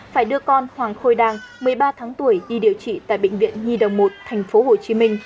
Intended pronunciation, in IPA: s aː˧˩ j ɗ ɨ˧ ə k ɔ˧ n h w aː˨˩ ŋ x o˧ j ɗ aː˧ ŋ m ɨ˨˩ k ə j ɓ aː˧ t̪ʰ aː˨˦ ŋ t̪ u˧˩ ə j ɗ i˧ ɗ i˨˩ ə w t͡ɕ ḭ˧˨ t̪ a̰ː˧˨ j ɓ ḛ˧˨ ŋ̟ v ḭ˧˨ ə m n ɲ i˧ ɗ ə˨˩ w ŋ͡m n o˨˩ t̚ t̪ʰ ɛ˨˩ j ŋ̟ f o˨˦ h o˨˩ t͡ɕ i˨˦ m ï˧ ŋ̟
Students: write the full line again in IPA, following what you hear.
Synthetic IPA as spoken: f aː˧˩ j ɗ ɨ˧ ə k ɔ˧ n h w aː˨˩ ŋ x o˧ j ɗ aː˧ ŋ m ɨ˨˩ ə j ɓ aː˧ t̪ʰ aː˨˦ ŋ t̪ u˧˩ ə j ɗ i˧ ɗ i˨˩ ə w t͡ɕ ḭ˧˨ t̪ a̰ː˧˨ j ɓ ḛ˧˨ ŋ̟ v ḭ˧˨ ə n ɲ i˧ ɗ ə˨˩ w ŋ͡m m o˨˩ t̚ t̪ʰ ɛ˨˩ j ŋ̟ f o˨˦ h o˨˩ t͡ɕ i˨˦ m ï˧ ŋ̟